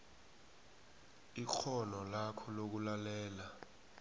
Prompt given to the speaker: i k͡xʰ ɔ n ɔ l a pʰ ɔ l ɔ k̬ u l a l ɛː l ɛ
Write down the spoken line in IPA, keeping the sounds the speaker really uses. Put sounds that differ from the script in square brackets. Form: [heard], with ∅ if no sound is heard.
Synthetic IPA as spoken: i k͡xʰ ɔ n ɔ l a [kʰ] ɔ l [o] k̬ u l a l ɛː l [a]

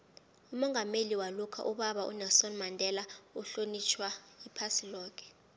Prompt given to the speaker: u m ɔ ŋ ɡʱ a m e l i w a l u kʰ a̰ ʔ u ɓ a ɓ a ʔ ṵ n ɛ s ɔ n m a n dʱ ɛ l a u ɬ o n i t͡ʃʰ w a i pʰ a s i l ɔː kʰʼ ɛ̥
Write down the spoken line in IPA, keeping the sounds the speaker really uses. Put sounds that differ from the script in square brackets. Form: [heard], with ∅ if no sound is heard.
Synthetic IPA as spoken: u m ɔ ŋ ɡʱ a m e l i w a l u kʰ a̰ ʔ u ɓ a ɓ a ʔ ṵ n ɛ s ɔ n m a n dʱ ɛ l a u ɬ o n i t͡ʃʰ w a i pʰ a s i l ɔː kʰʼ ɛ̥

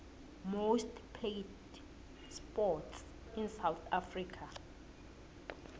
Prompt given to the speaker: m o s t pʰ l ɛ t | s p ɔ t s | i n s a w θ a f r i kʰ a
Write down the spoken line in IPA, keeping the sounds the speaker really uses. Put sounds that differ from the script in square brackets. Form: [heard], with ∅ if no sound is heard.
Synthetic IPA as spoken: m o s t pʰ l [e] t | s p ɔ t s | i n s a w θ a f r i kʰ a

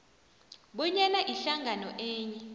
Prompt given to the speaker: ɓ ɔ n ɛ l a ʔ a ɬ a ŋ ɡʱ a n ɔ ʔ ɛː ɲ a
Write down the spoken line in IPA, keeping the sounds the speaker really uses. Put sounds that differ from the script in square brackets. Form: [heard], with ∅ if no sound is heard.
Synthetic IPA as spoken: ɓ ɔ [ɲ] ɛ l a ʔ [i] ɬ a ŋ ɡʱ a n ɔ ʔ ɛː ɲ [ɛ]

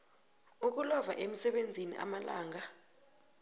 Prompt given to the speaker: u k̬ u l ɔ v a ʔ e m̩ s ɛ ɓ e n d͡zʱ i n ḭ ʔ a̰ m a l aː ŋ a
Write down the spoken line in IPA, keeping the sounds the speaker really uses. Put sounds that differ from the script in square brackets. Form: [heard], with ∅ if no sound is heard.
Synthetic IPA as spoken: u k̬ u l ɔ v a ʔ e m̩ s ɛ ɓ e n d͡zʱ i n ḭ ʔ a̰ m a l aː ŋ a

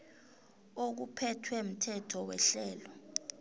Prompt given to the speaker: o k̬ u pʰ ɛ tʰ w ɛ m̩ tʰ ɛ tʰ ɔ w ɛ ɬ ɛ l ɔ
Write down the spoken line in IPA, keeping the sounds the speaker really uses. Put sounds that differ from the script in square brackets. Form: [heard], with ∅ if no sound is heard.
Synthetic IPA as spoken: o k̬ u pʰ ɛ tʰ w ɛ m̩ tʰ ɛ tʰ ɔ w ɛ ɬ [ɛː] l ɔ

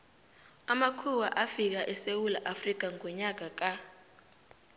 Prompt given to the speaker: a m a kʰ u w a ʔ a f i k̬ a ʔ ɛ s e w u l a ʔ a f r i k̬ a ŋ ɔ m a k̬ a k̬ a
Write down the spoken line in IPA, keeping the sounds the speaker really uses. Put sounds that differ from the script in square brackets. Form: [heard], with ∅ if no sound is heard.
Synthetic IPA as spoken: a m a kʰ u w a ʔ a f i k̬ a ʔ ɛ s e w u l a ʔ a f r i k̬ a ŋ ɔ [ɲ] a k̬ a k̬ a

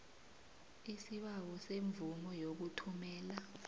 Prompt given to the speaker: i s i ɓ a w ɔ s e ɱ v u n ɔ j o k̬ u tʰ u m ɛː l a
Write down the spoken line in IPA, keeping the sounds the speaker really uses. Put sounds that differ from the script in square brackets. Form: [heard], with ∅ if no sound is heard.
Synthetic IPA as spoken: i s i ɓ a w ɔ s e ɱ v u [m] ɔ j o k̬ u tʰ u m ɛː l a

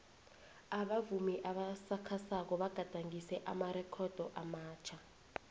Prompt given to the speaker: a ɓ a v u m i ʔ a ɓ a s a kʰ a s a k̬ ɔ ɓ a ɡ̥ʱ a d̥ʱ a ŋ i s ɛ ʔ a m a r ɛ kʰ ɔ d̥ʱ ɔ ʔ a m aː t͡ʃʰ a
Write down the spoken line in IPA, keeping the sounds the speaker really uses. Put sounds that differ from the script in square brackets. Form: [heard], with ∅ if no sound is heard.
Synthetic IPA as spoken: a ɓ a v u m i ʔ a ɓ a s a kʰ a s a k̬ ɔ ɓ a ɡ̥ʱ a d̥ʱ a ŋ i s ɛ ʔ a m a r ɛ kʰ ɔ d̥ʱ ɔ ʔ a m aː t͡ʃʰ a

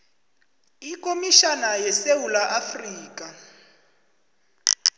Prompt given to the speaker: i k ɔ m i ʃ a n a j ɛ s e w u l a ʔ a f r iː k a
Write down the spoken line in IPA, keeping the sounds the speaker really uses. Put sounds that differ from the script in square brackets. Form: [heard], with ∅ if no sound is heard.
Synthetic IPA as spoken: i k [o] m i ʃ a n a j ɛ s e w u l a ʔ a f r iː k a

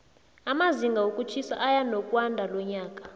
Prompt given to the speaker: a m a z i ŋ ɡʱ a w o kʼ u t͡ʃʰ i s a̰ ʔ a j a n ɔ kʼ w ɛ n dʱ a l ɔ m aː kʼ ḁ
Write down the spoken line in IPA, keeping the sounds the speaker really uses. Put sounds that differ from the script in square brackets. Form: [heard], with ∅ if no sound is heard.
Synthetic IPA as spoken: a m a z i ŋ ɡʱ a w o kʼ u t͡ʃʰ i s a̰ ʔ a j a n ɔ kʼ w [a] n dʱ a l ɔ [ɲ] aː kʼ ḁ

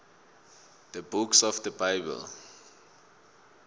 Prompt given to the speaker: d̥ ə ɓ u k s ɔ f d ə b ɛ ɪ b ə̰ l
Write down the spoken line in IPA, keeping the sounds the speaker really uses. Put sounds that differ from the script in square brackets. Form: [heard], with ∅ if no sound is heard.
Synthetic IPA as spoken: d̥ ə [b] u k s ɔ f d ə b [a] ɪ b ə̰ l

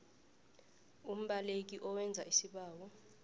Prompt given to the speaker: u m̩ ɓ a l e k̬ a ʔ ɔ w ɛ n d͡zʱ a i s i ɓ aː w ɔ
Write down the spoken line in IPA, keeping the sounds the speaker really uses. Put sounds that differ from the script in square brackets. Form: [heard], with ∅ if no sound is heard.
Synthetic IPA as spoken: u m̩ ɓ a l e k̬ [i] ʔ ɔ w ɛ n d͡zʱ a i s i ɓ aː w ɔ

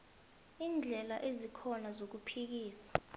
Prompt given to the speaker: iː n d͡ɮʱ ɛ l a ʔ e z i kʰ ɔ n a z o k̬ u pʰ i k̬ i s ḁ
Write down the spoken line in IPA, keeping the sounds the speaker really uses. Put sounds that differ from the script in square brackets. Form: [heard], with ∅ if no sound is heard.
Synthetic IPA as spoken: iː n d͡ɮʱ ɛ l a ʔ e z i kʰ ɔ n a z o k̬ u pʰ i k̬ [iː] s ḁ

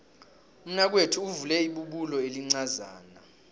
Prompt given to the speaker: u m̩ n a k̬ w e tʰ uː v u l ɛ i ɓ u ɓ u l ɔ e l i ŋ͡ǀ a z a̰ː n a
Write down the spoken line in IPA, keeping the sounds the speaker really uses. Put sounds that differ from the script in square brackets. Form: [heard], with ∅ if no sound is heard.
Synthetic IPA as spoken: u m̩ n a k̬ w e tʰ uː v u l ɛ i ɓ u ɓ u l ɔ e l i ŋ͡ǀ a z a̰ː n a

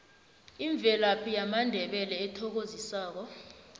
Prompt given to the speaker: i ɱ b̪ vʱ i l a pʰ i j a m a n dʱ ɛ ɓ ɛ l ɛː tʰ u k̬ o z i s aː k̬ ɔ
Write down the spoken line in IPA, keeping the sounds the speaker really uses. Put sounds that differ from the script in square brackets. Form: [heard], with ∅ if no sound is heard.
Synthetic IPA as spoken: i ɱ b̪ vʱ [ɛ] l a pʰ i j a m a n dʱ ɛ ɓ ɛ l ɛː tʰ [ɔ] k̬ o z i s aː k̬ ɔ

